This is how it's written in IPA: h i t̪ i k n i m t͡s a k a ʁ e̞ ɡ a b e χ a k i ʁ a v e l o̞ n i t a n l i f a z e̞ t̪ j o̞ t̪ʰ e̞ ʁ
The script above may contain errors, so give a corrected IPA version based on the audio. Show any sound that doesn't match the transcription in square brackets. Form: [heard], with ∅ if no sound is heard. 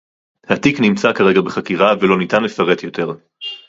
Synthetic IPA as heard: h [a] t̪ i k n i m t͡s a k a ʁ e̞ ɡ a b e χ a k i ʁ a v e l o̞ n i t a n l [e] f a [ʁ] e̞ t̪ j o̞ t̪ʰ e̞ ʁ